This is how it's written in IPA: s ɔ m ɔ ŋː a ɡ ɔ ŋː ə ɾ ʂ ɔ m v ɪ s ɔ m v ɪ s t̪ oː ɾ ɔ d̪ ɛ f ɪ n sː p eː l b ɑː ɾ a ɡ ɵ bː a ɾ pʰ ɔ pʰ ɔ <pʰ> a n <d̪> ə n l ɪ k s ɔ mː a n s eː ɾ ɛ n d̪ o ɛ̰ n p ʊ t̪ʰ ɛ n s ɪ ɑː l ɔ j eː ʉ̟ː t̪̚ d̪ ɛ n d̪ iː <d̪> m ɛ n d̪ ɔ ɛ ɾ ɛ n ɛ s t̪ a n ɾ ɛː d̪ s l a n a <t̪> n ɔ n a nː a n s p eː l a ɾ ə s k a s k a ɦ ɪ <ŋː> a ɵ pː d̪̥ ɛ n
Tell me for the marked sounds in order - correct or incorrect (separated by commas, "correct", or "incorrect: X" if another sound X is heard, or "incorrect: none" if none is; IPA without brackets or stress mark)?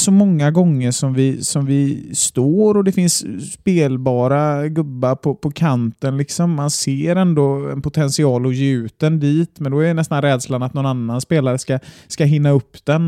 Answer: incorrect: kʰ, incorrect: t̪, incorrect: t̪, correct, incorrect: nː